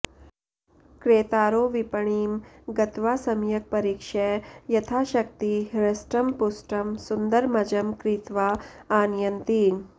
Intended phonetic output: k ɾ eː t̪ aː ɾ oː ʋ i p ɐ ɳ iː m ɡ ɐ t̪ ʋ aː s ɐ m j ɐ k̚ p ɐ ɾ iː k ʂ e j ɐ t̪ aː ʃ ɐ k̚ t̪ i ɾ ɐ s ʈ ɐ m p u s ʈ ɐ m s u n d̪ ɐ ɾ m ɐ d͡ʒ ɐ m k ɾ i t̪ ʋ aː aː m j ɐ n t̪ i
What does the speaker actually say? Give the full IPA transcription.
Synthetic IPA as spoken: k ɾ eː t̪ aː ɾ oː ʋ i p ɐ ɳ iː m ɡ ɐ t̪ ʋ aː s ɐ m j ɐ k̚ p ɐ ɾ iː k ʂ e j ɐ t̪ʰ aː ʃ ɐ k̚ t̪ i ɾ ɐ s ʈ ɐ m p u s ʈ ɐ m s u n d̪ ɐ ɾ m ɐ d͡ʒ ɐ m k ɾ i t̪ ʋ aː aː n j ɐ n t̪ i